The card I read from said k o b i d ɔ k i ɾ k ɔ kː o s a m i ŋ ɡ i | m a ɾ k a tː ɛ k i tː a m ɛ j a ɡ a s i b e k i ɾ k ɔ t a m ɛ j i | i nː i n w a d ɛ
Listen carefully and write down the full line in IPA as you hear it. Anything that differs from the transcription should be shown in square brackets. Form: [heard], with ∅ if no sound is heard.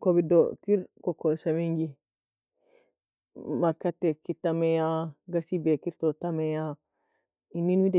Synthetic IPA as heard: k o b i d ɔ k i ɾ k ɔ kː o s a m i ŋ ɡ i | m a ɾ k a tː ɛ k i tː a m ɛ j a ɡ a s i b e k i ɾ [t] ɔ t a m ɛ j [a] | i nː i n w [i] d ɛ